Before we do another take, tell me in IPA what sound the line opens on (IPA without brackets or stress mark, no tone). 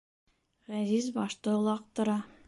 ʁ